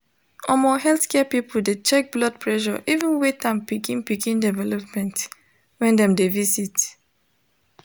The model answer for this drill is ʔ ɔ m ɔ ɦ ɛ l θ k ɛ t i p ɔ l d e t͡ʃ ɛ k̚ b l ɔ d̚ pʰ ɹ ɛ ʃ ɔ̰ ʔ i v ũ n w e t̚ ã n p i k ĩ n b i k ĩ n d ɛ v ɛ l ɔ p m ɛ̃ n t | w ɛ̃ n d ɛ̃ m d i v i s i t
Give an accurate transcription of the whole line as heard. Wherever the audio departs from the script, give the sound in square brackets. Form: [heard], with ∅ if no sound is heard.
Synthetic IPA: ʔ ɔ m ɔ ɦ ɛ l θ k ɛ [p] i p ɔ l d e t͡ʃ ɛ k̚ b l ɔ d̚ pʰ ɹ ɛ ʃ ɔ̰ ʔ i v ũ n w e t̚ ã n p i k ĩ n [p] i k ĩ n d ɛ v ɛ l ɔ p m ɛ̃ n t | w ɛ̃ n d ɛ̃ m d [e] v i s i t